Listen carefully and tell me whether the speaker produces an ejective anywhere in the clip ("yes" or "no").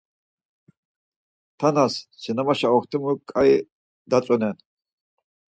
yes